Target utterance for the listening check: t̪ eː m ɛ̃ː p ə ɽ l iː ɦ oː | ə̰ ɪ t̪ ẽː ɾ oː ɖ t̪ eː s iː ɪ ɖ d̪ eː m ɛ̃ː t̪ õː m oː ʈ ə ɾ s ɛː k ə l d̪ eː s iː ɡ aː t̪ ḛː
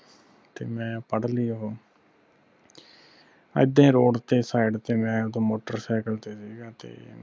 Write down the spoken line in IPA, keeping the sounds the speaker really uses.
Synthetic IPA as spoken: t̪ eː m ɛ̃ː p ə ɽ l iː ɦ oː | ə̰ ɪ d̪ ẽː ɾ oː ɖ t̪ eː s aː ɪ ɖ t̪ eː m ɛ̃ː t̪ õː m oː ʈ ə ɾ s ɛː k ə l t̪ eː s iː ɡ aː t̪ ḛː